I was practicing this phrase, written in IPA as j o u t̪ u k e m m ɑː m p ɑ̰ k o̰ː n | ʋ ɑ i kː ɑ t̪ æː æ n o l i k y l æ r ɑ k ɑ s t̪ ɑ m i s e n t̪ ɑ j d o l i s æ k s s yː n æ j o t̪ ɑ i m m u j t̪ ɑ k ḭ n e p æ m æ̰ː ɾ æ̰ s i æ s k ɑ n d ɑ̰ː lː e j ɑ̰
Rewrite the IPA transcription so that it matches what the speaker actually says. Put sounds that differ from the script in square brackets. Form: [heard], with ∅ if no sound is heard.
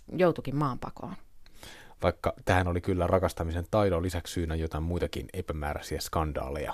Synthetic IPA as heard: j o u t̪ u k [i] m m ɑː m p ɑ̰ k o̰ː n | ʋ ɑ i kː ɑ t̪ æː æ n o l i k y [lː] æ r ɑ k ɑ s t̪ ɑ m i s e n t̪ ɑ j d o l i s æ k s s yː n æ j o t̪ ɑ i m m u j t̪ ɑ k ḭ n e p æ m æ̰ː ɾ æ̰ s i æ s k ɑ n d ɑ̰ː [l] e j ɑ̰